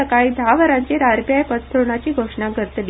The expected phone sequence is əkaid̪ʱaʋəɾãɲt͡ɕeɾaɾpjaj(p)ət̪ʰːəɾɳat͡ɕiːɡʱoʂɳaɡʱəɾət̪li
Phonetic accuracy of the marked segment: correct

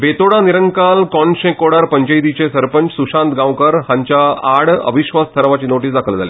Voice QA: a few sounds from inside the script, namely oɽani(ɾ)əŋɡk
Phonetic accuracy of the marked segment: correct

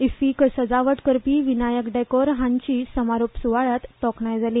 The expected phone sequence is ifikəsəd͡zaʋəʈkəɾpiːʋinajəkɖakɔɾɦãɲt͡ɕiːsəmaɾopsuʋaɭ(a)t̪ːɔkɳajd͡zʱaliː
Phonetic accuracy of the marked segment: correct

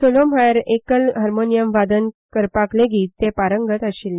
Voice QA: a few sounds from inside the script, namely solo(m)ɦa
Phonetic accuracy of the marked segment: correct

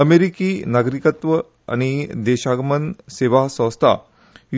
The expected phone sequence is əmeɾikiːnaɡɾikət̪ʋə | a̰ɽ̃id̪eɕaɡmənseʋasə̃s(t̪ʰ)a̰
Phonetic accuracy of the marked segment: correct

